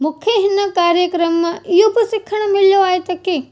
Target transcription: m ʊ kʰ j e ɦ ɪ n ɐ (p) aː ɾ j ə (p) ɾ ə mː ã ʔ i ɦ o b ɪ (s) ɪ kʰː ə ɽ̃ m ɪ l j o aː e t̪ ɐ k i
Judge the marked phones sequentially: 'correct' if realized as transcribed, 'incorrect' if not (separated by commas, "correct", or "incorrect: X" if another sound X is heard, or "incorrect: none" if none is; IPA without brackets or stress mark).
incorrect: k, incorrect: k, correct